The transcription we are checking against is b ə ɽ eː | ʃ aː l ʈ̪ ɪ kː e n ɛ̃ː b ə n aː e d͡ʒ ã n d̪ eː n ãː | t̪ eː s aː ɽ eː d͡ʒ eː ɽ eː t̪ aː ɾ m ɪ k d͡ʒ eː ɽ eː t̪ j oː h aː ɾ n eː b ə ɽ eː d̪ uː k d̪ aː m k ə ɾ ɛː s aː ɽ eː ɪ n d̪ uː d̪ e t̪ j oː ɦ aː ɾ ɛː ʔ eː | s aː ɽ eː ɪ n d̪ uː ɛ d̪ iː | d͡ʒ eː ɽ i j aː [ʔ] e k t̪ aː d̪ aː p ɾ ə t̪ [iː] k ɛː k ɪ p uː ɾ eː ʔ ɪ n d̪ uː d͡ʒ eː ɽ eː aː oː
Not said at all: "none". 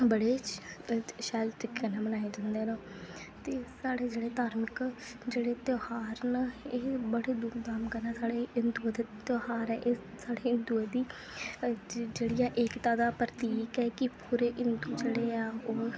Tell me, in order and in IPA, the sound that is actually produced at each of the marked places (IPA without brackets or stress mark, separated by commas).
ʔ, iː